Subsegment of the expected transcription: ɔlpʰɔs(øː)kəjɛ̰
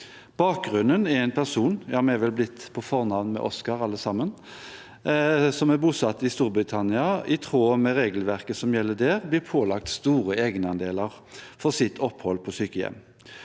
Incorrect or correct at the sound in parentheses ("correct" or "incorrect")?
incorrect